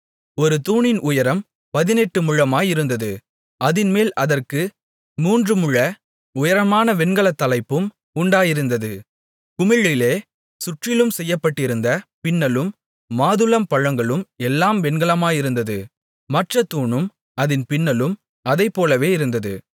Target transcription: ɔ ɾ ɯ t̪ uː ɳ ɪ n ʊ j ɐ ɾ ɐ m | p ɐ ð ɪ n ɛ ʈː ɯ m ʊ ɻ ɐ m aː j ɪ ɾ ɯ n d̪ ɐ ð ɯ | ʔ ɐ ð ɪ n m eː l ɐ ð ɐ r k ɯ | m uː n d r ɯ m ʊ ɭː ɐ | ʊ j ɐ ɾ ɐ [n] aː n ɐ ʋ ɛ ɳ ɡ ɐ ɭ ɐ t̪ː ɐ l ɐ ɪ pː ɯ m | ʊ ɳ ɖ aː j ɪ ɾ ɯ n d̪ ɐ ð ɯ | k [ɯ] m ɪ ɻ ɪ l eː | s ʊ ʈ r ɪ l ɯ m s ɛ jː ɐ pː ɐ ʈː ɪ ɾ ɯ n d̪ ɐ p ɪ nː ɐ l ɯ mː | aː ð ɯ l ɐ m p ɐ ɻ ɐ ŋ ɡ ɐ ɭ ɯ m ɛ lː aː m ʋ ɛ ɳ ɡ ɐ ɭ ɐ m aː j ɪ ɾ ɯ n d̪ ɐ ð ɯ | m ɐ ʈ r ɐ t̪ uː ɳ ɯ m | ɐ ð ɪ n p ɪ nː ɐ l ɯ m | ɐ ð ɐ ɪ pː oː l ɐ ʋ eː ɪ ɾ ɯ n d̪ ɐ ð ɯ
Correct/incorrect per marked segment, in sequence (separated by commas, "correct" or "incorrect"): incorrect, incorrect